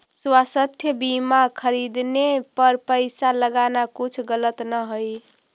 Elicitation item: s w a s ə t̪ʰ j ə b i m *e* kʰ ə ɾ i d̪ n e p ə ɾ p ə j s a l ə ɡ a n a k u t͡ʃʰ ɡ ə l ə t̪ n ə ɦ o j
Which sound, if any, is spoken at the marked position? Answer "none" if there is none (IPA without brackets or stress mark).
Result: a